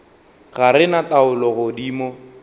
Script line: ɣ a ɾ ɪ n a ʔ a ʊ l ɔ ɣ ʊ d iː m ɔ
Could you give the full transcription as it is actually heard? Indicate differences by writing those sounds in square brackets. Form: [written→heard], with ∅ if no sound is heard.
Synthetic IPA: ɣ a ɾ ɪ n a [ʔ→t] a ʊ l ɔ ɣ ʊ d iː m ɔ